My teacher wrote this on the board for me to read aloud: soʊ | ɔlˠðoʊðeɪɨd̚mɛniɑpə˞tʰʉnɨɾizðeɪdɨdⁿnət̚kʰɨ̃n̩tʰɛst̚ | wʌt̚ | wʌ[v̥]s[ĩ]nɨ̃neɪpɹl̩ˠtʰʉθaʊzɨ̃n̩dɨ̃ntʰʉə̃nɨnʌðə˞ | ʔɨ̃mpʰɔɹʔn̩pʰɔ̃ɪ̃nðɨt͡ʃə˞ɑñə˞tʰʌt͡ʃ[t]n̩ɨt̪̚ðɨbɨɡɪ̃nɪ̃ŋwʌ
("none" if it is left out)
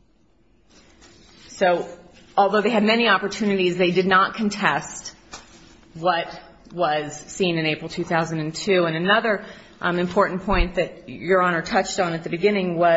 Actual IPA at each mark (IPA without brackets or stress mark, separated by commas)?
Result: z̥, ĩ, t